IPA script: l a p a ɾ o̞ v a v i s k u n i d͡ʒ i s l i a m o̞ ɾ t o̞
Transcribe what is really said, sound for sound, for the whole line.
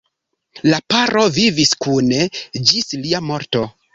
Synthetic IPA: l a p a ɾ o̞ v i v i s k u n e d͡ʒ i s l i a m o̞ ɾ t o̞